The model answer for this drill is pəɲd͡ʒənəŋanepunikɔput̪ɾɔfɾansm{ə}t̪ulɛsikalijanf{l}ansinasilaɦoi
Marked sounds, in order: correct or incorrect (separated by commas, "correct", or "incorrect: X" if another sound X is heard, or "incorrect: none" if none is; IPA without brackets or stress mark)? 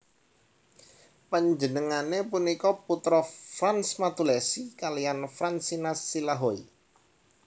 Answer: incorrect: a, incorrect: ɾ